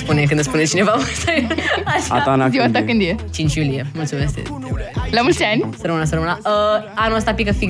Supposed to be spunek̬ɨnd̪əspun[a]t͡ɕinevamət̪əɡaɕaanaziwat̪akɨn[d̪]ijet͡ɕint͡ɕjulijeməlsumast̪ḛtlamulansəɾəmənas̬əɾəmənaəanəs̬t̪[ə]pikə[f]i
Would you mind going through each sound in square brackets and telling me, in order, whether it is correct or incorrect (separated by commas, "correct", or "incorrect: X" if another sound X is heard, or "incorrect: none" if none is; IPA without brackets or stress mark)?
incorrect: e, correct, incorrect: a, correct